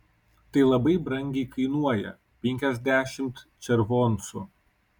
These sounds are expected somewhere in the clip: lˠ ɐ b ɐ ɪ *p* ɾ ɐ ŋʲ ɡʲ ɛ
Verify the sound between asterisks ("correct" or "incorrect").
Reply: incorrect